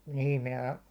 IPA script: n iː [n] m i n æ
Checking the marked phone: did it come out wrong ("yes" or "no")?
yes